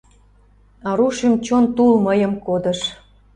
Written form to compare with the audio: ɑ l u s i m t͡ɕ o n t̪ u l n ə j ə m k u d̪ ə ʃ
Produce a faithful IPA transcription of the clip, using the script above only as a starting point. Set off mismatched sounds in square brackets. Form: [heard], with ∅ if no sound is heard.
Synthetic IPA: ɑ [ɾ] u [ʃ] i m t͡ɕ o n t̪ u l [m] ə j ə m k [o] d̪ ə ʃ